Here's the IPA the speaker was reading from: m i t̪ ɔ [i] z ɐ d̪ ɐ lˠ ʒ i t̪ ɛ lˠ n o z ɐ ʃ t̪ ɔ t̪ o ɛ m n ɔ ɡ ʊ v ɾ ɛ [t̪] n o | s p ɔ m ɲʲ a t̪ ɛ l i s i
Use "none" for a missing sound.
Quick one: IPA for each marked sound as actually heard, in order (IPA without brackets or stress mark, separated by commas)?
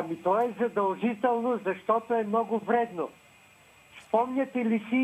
ɛ, d̪